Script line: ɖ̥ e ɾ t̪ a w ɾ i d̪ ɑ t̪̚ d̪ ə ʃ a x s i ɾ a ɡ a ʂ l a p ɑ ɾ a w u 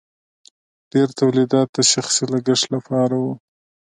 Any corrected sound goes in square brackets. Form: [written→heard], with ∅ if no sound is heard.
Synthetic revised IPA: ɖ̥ e ɾ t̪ a w [ɾ→l] i d̪ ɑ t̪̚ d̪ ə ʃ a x s i [ɾ→l] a ɡ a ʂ l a p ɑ ɾ a w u